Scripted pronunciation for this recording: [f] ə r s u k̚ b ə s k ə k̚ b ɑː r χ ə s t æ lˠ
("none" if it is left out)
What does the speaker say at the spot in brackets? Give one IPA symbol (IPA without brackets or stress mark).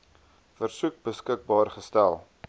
f